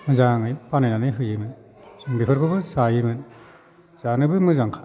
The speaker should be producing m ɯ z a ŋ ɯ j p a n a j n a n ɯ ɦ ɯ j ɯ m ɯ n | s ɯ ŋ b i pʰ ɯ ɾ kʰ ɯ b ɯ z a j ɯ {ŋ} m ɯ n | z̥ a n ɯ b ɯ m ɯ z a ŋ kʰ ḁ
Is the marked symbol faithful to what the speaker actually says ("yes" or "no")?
no